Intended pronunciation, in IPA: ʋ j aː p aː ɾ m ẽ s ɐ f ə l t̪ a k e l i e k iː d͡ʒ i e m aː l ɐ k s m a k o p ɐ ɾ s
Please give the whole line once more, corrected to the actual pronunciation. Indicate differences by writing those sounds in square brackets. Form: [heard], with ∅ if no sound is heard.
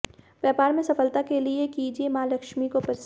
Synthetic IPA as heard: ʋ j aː p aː ɾ m ẽ s ɐ f ə l t̪ a k e l i e k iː d͡ʒ i e m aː l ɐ k [ʃ] m [i] k o p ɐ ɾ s